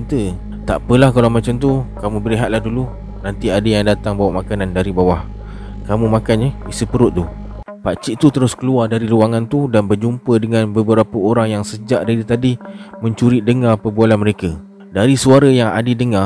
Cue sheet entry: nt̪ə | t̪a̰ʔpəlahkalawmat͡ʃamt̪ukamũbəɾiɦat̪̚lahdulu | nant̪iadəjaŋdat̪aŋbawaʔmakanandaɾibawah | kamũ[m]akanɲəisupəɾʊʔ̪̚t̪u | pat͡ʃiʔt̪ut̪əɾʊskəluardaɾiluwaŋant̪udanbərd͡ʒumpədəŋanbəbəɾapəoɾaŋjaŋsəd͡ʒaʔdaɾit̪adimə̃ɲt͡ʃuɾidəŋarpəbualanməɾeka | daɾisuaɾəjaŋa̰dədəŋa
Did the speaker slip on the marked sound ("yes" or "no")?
no